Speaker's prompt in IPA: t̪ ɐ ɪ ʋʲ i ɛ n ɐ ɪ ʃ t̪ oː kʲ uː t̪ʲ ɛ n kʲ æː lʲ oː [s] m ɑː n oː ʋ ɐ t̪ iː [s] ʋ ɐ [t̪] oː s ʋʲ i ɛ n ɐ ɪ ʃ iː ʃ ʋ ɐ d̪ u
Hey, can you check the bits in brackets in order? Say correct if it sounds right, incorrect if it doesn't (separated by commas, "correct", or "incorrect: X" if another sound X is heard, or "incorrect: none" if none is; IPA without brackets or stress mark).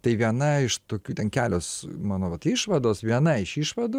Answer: correct, incorrect: ʃ, incorrect: d̪